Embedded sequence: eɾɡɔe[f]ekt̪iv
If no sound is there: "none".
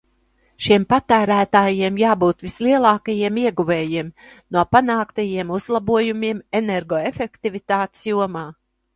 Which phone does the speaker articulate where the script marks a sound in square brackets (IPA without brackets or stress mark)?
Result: f